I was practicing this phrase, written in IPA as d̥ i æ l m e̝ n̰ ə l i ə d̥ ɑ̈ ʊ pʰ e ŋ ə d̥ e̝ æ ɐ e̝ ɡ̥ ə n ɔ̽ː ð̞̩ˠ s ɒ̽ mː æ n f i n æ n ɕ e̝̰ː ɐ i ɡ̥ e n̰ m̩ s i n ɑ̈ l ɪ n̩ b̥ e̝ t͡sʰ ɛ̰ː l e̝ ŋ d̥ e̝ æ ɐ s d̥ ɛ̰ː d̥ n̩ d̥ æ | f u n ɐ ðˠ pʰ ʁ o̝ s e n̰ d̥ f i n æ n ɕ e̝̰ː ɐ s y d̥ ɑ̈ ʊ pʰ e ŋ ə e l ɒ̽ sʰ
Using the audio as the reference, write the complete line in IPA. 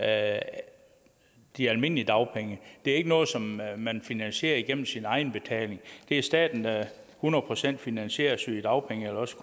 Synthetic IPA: d̥ i æ l m e̝ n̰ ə l i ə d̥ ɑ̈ ʊ pʰ e ŋ ə d̥ e̝ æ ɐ e̝ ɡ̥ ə n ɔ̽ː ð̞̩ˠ s ɒ̽ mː æ n f i n æ n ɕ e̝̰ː ɐ i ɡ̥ e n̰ m̩ s i n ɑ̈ ɪ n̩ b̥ e̝ t͡sʰ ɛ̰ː l e̝ ŋ d̥ e̝ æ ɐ s d̥ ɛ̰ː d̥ n̩ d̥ æ | h u n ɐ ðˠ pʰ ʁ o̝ s e n̰ d̥ f i n æ n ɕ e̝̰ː ɐ s y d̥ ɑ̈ ʊ pʰ e ŋ ə e l ɒ̽ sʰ

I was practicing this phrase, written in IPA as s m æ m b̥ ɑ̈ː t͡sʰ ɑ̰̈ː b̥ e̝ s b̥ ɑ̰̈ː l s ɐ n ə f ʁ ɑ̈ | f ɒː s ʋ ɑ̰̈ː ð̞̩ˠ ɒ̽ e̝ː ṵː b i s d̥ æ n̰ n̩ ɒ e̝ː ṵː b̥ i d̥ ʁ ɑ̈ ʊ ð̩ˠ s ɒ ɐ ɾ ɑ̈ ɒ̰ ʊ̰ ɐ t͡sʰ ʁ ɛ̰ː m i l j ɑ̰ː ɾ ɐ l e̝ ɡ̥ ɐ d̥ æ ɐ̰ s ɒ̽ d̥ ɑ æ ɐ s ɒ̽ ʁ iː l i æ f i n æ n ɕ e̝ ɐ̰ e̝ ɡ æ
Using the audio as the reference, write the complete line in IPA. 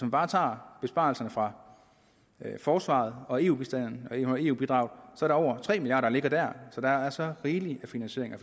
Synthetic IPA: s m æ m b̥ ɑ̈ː t͡sʰ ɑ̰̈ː b̥ e̝ s b̥ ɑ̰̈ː l s ɐ n ə f ʁ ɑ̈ | f ɒː s ʋ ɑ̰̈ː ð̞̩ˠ ɒ̽ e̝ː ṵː b i s d̥ æ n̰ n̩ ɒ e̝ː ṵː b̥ i d̥ ʁ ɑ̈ ʊ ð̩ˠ s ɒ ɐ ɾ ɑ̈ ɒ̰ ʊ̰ ɐ t͡sʰ ʁ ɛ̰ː m i l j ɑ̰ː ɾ ɐ l e̝ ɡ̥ ɐ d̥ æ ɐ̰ s ɒ̽ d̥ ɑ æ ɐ s ɒ̽ ʁ iː l i æ f i n æ n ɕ e̝ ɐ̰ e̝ ŋ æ

